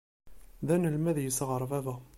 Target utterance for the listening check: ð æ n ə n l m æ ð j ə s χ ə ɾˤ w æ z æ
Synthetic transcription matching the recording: ð æ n ə l m æ ð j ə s ʁ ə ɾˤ v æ v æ